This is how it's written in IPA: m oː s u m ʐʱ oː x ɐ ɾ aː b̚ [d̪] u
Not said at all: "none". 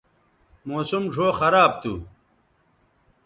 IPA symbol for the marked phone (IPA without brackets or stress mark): t̪